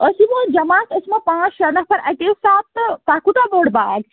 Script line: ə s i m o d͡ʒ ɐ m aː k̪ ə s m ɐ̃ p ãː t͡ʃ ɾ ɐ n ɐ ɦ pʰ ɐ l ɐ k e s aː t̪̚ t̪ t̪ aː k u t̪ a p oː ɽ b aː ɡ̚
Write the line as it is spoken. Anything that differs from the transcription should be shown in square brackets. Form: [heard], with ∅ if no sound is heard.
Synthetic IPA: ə s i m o d͡ʒ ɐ m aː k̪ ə s m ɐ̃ p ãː t͡ʃ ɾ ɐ n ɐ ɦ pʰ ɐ [ɾ] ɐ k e s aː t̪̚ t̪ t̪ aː k u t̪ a [b] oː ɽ b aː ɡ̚